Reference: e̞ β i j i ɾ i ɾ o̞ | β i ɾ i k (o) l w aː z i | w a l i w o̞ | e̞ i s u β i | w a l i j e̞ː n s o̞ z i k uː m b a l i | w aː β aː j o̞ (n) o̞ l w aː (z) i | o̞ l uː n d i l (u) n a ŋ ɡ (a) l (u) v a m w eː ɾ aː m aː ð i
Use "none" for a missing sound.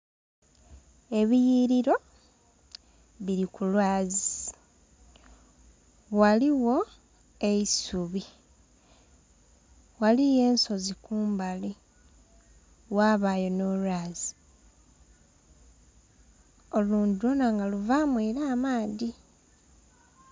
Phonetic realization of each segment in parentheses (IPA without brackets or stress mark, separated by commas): u, n, z, o, a, u